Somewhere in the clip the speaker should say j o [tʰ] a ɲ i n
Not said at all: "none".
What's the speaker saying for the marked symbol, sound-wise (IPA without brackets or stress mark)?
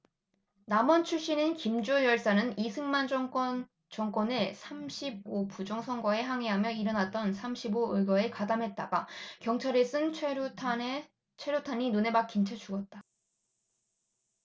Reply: tʰ